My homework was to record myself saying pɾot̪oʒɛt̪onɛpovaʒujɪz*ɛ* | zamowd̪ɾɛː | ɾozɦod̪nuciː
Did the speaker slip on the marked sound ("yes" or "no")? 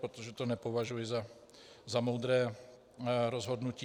yes